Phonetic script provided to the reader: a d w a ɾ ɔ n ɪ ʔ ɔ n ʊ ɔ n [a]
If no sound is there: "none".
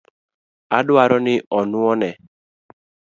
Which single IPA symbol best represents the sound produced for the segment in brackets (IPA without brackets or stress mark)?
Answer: ɛ